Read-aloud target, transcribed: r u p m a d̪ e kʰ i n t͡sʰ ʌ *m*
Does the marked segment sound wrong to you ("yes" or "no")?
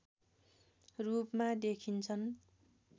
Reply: yes